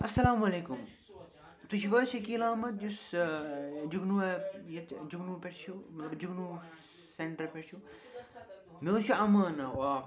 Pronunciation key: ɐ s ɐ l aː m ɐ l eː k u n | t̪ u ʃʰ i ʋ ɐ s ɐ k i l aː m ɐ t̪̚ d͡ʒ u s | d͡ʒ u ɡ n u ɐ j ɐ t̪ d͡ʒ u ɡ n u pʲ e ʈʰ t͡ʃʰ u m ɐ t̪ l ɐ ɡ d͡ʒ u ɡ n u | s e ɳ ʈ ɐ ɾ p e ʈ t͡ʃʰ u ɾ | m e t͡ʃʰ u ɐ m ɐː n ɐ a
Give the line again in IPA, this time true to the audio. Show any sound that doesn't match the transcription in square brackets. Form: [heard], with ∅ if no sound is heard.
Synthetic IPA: ɐ s ɐ l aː m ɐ l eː k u [m] | t̪ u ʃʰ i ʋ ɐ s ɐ k i l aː m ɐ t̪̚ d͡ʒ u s | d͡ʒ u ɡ n u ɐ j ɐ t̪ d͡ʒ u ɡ n u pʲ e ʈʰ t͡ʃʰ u m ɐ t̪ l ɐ [b] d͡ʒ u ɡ n u | s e ɳ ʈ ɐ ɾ p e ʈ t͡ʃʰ u [∅] | m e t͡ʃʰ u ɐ m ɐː n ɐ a